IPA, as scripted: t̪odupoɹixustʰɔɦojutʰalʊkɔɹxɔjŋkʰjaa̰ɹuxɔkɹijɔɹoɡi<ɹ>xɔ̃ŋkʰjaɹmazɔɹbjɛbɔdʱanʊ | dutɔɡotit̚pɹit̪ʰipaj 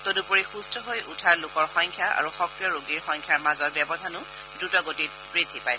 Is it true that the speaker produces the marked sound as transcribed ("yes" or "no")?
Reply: yes